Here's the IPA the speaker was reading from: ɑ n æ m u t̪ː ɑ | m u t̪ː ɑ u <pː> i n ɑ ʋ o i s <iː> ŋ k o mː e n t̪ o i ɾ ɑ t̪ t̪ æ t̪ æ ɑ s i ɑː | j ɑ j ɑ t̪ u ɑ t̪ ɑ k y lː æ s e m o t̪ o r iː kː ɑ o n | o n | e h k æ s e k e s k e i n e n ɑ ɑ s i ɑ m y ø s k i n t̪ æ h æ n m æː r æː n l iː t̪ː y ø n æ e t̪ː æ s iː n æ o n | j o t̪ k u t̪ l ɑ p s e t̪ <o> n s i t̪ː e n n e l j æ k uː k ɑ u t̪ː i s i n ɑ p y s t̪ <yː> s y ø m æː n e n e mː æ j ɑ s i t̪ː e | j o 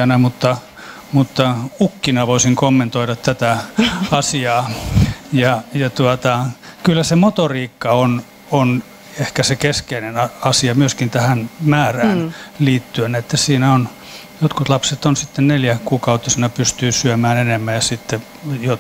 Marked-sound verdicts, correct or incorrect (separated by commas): incorrect, incorrect, correct, correct